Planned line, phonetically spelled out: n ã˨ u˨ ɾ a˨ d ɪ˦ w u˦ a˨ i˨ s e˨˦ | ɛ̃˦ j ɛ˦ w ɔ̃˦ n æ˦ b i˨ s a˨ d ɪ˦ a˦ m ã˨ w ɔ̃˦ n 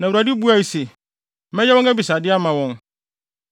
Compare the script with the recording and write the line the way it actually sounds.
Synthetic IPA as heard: n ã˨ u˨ ɾ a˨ d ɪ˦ b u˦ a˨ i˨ s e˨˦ | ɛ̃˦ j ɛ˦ w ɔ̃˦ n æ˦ b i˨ s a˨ d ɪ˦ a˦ m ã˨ w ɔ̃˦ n